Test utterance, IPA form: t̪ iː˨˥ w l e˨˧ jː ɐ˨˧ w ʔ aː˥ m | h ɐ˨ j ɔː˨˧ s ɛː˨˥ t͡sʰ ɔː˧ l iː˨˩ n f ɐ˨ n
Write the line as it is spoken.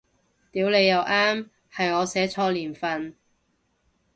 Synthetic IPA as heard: t̪ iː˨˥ w l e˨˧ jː ɐ˨˧ w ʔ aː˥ m | h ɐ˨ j ɔː˨˧ s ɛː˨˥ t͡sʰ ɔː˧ l iː˨˩ n f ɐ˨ n